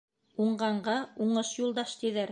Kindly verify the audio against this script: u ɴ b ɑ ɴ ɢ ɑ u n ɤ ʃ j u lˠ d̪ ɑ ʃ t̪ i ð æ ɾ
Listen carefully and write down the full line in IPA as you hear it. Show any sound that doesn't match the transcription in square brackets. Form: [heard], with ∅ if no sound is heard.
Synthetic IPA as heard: u ɴ [ɢ] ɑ ɴ ɢ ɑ u [ɴ] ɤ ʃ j u lˠ d̪ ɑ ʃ t̪ i ð æ ɾ